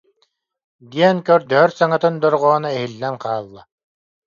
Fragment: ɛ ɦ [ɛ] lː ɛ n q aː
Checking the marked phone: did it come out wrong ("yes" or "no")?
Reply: yes